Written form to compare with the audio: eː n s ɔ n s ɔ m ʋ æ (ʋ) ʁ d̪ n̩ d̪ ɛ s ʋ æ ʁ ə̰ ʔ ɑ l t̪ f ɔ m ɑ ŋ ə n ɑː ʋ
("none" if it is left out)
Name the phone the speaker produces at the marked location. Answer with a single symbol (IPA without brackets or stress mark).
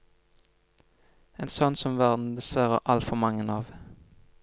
none